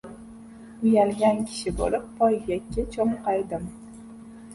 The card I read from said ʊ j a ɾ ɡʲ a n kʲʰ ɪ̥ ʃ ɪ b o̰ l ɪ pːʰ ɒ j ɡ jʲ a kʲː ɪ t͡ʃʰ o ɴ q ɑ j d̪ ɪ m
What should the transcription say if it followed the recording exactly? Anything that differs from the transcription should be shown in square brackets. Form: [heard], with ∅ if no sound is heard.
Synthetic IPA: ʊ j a [l] ɡʲ a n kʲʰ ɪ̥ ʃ ɪ b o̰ l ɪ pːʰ ɒ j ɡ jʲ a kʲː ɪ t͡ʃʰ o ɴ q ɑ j d̪ ɪ m